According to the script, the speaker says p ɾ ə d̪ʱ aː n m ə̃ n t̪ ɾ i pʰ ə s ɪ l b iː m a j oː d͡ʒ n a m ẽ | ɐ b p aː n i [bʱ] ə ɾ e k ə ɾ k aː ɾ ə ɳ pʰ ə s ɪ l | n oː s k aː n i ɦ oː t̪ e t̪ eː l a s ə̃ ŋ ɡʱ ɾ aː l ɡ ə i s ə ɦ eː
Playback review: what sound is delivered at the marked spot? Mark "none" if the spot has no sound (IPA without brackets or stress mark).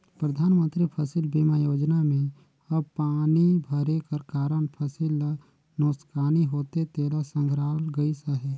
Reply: bʱ